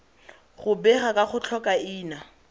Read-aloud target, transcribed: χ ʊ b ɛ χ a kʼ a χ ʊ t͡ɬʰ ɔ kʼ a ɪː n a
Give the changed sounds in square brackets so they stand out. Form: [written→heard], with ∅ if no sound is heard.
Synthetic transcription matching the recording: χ ʊ b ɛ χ a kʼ a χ ʊ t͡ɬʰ ɔ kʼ a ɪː n a